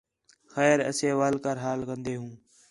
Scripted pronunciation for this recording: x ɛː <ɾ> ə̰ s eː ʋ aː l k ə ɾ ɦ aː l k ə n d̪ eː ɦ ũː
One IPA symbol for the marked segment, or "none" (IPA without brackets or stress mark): ɾ